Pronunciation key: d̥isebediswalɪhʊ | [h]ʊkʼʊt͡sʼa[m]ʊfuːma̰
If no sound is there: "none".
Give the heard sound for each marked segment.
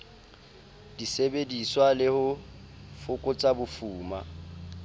f, b

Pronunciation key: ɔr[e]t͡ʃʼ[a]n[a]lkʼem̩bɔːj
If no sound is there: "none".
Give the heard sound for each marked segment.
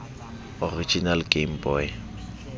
i, i, a

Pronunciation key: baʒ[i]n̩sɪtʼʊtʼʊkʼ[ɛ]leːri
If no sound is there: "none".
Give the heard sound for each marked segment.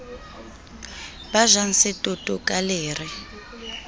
a, a

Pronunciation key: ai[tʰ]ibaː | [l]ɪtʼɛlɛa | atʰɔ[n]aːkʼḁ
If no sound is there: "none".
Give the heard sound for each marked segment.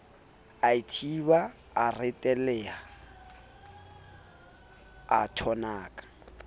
tʰ, r, n

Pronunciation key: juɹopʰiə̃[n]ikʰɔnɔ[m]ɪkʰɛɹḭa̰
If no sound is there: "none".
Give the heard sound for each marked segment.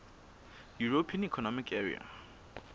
n, m

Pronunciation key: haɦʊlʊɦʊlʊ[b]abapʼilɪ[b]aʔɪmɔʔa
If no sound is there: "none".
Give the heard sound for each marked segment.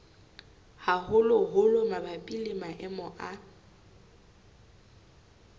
m, m

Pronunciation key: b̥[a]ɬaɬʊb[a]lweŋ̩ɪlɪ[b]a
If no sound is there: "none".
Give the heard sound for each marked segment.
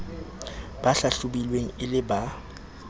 a, i, b

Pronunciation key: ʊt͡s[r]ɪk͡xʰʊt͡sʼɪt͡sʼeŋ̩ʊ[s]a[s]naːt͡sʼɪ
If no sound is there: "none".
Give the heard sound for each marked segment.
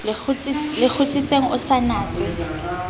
l, s, none

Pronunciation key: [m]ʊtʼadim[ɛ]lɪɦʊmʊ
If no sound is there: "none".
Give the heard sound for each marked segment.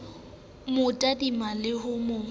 m, a

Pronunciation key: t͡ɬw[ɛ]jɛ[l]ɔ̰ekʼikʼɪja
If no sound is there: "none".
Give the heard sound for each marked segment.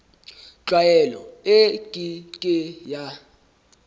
a, l

